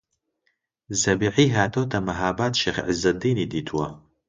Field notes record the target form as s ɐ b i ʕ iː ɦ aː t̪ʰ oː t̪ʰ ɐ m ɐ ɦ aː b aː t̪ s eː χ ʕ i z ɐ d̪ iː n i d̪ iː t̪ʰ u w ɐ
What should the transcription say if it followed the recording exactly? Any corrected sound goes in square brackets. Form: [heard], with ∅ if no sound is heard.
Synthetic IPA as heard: [z] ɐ b i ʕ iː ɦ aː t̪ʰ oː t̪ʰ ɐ m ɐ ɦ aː b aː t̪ [ʃ] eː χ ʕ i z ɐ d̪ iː n i d̪ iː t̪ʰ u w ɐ